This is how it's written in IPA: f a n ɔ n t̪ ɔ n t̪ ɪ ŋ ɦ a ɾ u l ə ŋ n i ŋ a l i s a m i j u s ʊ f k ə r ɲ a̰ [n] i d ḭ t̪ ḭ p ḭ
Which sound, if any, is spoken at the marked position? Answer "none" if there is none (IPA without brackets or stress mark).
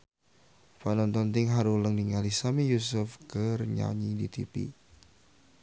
ɲ